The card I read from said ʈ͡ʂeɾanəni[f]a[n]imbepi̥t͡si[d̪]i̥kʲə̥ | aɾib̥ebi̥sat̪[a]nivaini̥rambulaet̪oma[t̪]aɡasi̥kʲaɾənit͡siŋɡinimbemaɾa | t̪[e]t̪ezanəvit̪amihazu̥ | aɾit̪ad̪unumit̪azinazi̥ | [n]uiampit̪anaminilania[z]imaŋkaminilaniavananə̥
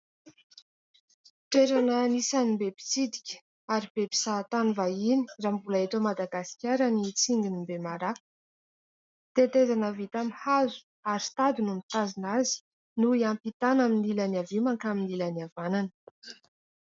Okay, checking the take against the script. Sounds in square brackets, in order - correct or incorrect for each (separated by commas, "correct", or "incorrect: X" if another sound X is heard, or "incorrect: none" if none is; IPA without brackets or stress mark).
incorrect: s, correct, correct, correct, incorrect: d̪, correct, correct, incorrect: v